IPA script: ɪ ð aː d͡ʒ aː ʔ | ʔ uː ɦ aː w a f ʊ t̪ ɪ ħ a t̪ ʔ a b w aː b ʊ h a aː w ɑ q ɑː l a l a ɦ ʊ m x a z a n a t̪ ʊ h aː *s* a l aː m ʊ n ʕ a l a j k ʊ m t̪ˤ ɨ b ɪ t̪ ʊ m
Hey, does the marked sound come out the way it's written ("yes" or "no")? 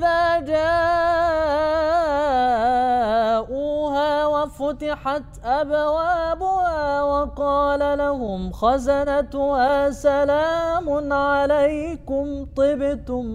yes